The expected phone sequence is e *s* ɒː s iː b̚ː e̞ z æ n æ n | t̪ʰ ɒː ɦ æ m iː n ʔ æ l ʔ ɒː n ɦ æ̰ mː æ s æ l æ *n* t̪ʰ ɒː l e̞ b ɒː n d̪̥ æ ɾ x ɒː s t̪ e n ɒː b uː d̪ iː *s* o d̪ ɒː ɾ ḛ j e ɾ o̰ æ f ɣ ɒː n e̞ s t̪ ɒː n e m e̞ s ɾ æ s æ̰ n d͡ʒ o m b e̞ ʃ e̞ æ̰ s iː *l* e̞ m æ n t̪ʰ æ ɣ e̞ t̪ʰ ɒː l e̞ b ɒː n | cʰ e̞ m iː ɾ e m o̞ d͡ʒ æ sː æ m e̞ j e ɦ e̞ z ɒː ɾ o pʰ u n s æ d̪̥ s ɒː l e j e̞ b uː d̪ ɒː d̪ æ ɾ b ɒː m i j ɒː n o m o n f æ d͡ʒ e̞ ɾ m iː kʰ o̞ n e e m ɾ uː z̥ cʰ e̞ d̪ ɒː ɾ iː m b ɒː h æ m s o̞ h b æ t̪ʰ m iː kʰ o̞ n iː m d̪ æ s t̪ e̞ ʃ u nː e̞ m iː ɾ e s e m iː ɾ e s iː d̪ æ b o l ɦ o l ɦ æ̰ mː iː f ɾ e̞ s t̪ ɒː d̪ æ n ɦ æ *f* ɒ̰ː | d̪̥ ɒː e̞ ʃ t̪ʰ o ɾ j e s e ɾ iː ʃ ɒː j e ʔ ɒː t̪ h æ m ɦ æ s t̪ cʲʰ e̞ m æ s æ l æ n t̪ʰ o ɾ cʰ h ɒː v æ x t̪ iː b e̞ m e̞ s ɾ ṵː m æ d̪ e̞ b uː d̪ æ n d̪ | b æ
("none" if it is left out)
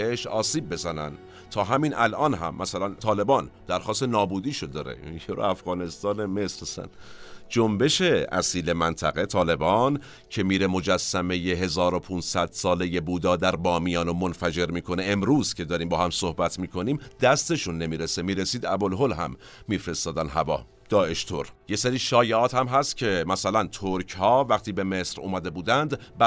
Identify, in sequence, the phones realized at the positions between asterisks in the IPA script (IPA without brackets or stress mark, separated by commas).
ʃ, n, ʃ, l, v